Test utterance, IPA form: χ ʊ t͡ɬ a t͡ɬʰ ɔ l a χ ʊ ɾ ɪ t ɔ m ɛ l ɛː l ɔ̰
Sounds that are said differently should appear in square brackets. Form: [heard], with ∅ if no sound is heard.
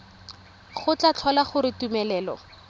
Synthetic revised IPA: χ ʊ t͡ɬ a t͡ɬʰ ɔ l a χ ʊ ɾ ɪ t [u] m ɛ l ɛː l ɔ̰